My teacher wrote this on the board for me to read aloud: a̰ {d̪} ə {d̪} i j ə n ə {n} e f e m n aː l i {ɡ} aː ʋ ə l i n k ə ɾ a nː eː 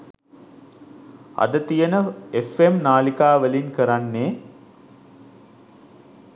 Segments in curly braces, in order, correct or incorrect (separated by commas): correct, incorrect, incorrect, incorrect